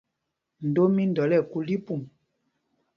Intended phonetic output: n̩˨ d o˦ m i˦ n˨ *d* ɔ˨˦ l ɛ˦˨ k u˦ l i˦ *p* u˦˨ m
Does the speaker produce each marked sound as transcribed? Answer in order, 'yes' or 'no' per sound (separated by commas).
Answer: yes, yes